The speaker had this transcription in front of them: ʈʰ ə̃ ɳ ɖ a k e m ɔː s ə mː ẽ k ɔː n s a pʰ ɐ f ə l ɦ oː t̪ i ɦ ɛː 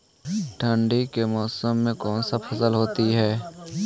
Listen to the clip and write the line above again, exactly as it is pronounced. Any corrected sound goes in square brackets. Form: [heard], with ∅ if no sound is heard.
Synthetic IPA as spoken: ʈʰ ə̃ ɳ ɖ [i] k e m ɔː s ə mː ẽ k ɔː n s a pʰ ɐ [s] ə l ɦ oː t̪ i ɦ ɛː